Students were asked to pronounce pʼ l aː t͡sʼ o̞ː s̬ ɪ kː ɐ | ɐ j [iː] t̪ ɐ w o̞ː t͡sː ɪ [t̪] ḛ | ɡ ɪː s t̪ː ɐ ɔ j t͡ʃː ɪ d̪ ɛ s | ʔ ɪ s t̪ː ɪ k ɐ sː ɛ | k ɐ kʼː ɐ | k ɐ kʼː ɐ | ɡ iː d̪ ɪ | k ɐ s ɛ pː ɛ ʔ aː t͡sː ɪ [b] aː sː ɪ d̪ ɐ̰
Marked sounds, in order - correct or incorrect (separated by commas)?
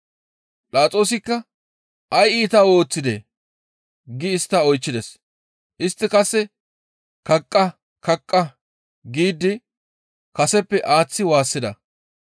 correct, incorrect, incorrect